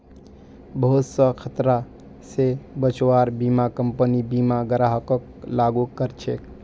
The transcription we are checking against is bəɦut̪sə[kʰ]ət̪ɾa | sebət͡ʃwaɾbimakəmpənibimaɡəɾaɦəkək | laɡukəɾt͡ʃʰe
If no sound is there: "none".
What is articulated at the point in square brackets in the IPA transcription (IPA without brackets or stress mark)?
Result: kʰ